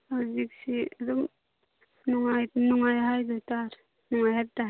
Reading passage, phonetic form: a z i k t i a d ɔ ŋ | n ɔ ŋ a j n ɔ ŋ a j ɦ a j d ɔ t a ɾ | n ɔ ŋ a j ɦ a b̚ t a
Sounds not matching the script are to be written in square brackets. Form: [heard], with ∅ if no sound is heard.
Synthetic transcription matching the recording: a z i k [s] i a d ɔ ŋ | n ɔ ŋ a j n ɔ ŋ a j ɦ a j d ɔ t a ɾ | n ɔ ŋ a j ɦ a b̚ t a